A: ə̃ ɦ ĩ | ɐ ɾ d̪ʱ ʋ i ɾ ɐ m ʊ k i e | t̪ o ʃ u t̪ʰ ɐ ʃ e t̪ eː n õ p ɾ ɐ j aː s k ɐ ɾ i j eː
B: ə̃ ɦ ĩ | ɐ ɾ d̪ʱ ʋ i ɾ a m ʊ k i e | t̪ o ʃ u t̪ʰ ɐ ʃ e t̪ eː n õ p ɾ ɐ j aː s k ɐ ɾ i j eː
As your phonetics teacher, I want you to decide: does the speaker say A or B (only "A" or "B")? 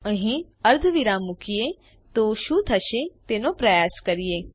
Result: B